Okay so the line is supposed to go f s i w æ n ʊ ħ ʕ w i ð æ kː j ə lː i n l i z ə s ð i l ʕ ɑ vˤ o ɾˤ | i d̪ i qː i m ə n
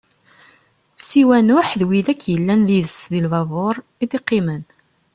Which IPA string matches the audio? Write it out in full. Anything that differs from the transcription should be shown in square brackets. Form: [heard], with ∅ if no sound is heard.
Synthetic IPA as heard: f s i w æ n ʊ ħ [ð] w i ð æ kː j ə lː [æ] n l i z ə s ð i l [v] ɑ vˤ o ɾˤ | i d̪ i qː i m ə n